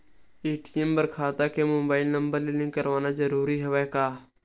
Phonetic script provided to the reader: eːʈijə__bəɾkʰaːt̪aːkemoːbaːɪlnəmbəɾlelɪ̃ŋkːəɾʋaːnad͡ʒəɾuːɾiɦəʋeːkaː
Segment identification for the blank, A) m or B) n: A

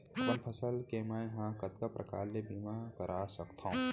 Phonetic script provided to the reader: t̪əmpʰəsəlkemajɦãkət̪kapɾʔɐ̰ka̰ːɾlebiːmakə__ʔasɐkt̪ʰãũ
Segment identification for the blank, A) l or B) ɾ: B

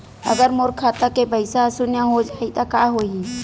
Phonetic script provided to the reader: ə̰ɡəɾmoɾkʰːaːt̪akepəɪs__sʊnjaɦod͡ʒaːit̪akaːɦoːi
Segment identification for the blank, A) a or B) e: A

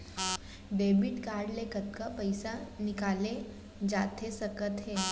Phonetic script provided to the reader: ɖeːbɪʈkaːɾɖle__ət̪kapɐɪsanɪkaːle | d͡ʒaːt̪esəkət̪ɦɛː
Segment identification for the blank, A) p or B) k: B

